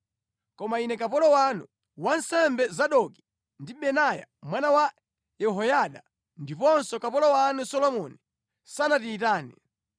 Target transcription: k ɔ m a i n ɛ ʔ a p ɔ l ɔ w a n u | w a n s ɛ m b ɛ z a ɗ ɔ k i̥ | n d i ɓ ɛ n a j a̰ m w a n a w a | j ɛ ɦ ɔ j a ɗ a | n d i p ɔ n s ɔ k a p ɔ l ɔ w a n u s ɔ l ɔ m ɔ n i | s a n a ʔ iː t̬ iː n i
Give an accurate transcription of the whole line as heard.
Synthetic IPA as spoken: k ɔ m a i n ɛ k a p ɔ l ɔ w a n u | w a n s ɛ m b ɛ z a ɗ ɔ k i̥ | n d i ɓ ɛ n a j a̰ m w a n a w a | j ɛ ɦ ɔ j a ɗ a | n d i p ɔ n s ɔ k a p ɔ l ɔ w a n u s ɔ l ɔ m ɔ n i | s a n a t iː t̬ aː n i